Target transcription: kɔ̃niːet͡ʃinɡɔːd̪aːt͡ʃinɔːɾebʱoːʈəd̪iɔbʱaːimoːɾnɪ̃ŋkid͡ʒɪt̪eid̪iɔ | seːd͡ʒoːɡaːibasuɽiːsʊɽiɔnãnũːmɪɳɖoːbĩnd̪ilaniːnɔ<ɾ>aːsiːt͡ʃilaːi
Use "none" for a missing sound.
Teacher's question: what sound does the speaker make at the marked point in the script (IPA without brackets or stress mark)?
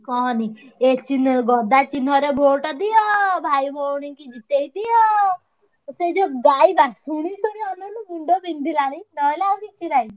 l